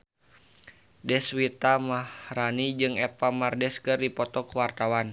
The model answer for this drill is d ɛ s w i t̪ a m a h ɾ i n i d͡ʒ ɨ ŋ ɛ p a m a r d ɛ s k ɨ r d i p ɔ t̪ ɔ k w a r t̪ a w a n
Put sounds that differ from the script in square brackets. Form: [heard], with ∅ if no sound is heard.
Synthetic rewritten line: d ɛ s w i t̪ a m a h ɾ [a] n i d͡ʒ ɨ ŋ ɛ p a m a r d ɛ s k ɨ r d i p ɔ t̪ ɔ k w a r t̪ a w a n